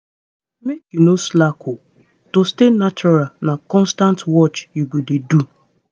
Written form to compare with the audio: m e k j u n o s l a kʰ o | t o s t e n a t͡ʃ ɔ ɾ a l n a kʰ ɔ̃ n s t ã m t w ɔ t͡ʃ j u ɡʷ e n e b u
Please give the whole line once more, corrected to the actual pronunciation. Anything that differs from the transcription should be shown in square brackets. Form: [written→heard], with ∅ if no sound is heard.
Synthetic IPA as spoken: m e k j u n o s l a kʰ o | t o s t e n a t͡ʃ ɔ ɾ a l n a [kʰ→k] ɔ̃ n s t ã [m→n] t w ɔ t͡ʃ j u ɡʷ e [n→d] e [b→d] u